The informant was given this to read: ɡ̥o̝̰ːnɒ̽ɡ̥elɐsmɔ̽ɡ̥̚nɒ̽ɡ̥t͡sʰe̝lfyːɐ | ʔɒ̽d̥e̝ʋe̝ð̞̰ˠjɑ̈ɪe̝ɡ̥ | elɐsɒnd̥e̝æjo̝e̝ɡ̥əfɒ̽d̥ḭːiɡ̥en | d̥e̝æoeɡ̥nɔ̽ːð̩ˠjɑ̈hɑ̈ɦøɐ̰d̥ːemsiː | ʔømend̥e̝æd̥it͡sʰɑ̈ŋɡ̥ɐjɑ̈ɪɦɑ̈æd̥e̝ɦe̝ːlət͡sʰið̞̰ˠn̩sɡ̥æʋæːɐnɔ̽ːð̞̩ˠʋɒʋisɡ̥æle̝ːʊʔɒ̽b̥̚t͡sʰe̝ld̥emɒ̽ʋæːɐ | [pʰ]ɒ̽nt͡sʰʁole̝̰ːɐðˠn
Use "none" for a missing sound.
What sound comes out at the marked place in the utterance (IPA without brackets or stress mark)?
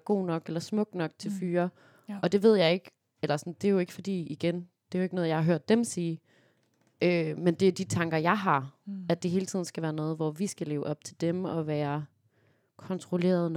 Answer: kʰ